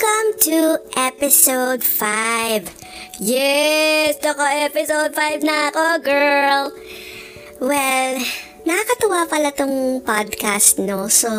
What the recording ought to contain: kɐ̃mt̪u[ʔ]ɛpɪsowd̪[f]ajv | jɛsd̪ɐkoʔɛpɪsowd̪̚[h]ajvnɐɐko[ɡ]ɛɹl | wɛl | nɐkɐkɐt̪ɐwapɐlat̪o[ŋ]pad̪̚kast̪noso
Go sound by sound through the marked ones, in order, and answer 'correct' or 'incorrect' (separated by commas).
correct, correct, incorrect, correct, correct